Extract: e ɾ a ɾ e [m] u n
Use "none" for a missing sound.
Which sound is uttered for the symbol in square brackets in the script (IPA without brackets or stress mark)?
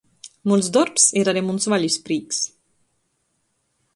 m